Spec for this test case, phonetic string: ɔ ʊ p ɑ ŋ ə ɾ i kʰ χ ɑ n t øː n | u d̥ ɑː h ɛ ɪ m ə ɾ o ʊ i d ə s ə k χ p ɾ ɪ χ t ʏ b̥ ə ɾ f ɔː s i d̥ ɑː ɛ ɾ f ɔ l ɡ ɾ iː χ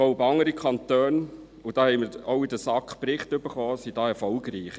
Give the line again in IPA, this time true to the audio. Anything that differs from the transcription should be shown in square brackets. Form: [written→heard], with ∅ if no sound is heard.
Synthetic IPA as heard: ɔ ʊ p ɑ ŋ ə ɾ i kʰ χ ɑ n t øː n | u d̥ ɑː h ɛ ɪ m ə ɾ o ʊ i d ə s [ə→ɑ] k χ p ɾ ɪ χ t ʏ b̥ ə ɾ [f→χ] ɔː s i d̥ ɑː ɛ ɾ f ɔ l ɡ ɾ iː χ